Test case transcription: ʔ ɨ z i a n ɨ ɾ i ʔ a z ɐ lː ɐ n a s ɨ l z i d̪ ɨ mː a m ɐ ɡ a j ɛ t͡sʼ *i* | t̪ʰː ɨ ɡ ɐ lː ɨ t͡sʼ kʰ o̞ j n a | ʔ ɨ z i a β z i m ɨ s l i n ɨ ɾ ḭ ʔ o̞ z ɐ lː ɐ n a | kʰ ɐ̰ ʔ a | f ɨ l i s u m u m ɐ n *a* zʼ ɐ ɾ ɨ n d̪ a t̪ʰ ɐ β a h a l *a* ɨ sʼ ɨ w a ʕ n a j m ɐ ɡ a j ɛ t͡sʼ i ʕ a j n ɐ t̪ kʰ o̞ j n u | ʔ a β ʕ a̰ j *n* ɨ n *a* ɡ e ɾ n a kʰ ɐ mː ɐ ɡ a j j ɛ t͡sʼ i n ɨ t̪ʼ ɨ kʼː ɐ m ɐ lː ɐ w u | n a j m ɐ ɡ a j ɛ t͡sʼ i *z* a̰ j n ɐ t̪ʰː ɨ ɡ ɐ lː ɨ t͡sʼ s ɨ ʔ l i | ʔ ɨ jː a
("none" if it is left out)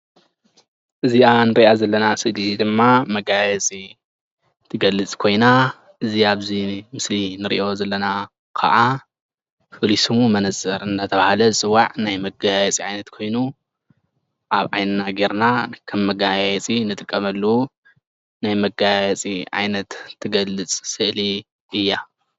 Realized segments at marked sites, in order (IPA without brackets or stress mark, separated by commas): i, ɐ, ɐ, n, a, ʕ